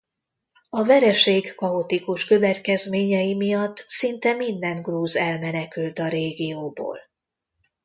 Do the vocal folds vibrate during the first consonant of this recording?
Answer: yes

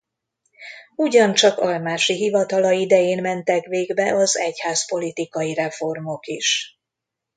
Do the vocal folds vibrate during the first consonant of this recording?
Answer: yes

